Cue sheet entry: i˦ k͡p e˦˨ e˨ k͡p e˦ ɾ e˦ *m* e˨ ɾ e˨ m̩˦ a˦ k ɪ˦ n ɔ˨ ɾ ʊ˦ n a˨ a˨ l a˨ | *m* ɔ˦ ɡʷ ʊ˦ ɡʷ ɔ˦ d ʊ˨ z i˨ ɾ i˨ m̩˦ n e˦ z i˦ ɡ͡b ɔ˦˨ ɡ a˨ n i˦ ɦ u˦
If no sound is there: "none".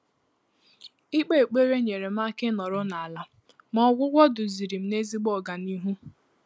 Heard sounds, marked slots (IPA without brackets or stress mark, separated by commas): ɲ, m